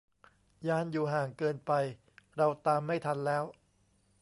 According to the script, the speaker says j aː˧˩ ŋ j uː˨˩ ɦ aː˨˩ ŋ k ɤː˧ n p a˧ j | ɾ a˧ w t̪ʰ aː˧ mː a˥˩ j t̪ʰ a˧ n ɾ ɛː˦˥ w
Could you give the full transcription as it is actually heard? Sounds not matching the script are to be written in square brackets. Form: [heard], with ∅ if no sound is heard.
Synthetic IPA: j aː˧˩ [n] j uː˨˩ ɦ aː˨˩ ŋ k ɤː˧ n p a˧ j | ɾ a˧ w [t̪] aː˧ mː a˥˩ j t̪ʰ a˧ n [l] ɛː˦˥ w